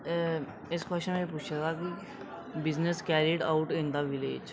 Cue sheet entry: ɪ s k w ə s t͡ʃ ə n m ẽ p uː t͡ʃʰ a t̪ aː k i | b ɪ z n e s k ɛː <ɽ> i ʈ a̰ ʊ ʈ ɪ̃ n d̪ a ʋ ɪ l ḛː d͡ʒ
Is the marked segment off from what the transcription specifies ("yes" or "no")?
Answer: yes